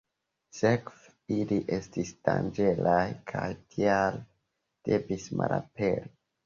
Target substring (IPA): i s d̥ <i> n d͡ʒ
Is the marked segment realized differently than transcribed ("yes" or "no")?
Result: yes